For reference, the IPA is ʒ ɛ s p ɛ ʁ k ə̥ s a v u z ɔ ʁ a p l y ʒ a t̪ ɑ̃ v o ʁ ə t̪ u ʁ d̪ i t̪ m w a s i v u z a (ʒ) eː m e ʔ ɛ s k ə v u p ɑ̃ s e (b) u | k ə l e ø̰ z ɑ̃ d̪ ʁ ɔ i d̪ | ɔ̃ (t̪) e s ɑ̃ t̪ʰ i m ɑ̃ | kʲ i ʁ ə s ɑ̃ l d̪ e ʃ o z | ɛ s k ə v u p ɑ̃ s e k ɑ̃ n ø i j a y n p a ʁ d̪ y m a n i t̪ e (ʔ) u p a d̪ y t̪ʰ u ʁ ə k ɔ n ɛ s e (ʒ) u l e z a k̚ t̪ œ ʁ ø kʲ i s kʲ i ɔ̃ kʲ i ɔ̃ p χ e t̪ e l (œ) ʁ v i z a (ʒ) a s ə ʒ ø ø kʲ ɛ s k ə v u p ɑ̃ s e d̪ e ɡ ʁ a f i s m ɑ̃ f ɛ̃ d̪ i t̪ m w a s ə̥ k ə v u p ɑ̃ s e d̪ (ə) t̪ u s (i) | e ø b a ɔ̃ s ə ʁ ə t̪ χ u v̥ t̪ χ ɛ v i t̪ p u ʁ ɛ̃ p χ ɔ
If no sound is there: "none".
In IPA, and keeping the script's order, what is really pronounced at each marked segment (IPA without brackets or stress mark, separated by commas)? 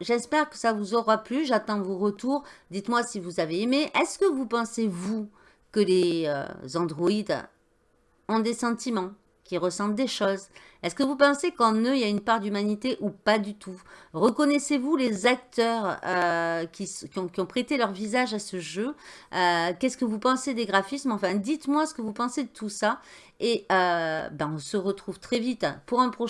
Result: v, v, d̪, ʔ, v, œ, ʒ, ə, a